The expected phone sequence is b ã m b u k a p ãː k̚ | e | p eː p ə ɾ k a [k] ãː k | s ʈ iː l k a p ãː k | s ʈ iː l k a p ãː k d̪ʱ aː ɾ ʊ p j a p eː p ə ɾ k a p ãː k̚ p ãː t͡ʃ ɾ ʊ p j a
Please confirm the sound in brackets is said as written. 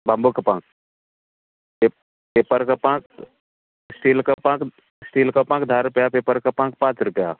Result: no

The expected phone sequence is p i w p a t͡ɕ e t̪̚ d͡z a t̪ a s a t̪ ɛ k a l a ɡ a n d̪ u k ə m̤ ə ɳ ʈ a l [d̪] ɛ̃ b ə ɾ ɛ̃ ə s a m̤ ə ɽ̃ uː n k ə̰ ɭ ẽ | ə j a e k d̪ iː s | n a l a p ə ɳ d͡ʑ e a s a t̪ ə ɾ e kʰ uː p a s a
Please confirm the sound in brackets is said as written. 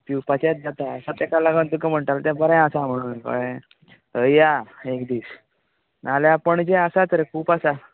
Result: no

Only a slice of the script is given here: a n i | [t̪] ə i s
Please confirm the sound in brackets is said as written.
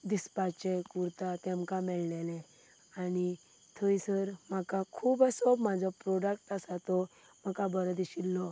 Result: no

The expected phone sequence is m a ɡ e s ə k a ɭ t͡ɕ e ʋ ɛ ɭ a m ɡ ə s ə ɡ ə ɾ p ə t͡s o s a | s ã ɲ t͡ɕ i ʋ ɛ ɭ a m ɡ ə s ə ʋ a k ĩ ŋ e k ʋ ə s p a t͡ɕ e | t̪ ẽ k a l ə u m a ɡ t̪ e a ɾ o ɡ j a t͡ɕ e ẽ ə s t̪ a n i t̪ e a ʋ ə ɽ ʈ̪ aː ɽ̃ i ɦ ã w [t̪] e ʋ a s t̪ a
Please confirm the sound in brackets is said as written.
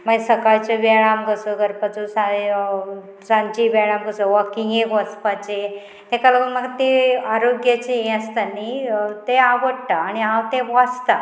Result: yes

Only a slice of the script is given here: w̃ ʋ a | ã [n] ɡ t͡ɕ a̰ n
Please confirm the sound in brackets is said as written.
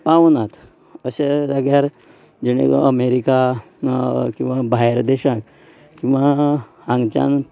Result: no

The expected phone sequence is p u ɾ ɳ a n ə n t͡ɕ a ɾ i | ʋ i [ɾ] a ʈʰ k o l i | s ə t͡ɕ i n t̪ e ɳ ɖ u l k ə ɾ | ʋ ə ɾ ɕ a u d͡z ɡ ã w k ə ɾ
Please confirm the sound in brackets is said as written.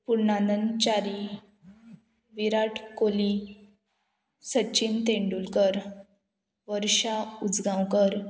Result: yes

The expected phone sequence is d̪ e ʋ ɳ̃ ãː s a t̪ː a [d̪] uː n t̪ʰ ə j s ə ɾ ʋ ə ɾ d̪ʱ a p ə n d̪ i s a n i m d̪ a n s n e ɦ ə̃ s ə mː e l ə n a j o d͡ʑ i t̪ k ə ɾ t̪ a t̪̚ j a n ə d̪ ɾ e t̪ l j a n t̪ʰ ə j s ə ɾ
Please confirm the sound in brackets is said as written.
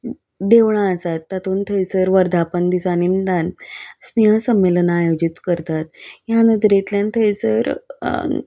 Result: no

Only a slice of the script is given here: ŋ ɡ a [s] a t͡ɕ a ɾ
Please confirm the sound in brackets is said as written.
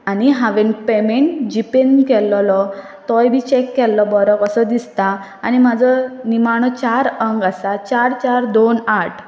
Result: yes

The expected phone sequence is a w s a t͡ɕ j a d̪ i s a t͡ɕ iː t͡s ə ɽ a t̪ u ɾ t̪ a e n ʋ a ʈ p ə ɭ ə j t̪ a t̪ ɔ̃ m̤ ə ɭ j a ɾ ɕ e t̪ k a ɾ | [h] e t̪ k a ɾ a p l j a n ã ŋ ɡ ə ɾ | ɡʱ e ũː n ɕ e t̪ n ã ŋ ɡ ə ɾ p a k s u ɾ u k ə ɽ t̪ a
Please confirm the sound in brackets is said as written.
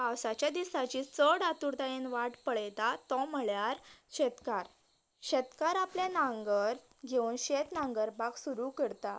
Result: no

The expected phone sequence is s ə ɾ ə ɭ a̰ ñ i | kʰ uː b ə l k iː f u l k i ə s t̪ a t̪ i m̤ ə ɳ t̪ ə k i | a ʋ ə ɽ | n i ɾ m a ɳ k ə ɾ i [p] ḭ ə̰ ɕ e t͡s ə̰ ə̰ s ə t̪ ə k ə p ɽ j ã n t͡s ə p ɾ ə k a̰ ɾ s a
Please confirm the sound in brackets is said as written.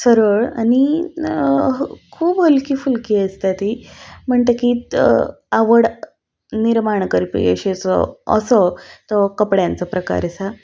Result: yes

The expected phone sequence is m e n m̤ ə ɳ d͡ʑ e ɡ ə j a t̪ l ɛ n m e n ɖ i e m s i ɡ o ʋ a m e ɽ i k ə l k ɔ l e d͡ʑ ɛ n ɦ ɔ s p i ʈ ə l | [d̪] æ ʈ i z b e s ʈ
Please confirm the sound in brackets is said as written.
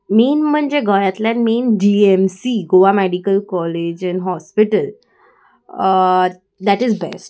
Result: yes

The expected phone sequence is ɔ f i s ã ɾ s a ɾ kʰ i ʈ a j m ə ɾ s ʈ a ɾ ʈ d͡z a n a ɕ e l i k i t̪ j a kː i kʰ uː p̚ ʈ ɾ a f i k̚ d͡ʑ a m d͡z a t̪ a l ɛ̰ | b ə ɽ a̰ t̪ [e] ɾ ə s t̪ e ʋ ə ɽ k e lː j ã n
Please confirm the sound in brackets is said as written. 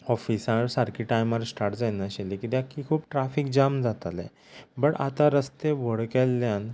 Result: no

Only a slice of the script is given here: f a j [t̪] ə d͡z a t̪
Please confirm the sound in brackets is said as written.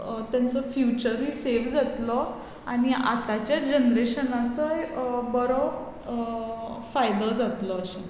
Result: no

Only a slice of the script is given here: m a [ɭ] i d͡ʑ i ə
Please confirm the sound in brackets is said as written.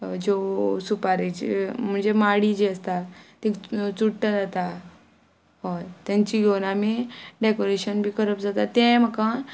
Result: no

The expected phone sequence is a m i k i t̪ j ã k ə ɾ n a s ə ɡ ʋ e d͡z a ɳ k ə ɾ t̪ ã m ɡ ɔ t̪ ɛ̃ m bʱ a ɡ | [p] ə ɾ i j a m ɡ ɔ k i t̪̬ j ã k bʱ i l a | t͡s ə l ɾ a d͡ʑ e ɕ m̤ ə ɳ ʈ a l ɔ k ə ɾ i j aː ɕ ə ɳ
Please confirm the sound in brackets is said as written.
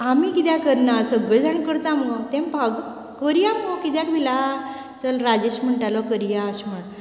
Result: no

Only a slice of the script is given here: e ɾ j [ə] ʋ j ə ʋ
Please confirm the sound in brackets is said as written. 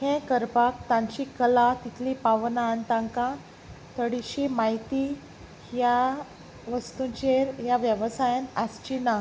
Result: no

